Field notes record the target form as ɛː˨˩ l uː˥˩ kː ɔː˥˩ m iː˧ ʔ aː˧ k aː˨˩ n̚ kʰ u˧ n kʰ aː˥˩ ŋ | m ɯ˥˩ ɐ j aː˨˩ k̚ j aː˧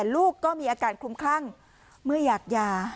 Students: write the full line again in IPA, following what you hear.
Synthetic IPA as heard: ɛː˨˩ l uː˥˩ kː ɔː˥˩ m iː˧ ʔ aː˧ k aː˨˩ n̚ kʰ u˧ m kʰ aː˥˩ ŋ | m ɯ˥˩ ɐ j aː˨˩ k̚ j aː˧